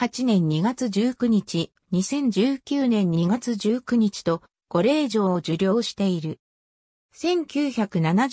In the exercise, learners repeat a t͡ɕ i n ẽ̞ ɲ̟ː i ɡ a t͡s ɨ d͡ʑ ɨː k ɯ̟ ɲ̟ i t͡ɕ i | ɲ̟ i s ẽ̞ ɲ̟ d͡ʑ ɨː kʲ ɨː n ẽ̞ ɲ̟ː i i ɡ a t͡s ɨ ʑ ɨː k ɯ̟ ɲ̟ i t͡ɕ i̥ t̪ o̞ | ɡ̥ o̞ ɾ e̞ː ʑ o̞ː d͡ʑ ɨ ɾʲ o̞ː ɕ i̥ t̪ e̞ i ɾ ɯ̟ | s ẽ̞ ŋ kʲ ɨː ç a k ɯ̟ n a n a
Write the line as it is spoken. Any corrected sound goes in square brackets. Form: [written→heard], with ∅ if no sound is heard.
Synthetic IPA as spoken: a t͡ɕ i n ẽ̞ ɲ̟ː i ɡ a t͡s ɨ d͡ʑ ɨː k ɯ̟ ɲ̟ i t͡ɕ i | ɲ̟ i s ẽ̞ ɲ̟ d͡ʑ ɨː kʲ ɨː n ẽ̞ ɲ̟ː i i ɡ a t͡s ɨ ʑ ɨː k ɯ̟ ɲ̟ i t͡ɕ i̥ t̪ o̞ | ɡ̥ o̞ ɾ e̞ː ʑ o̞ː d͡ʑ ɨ ɾʲ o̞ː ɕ i̥ t̪ e̞ i ɾ ɯ̟ | s ẽ̞ ŋ kʲ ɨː ç a k ɯ̟ n a n a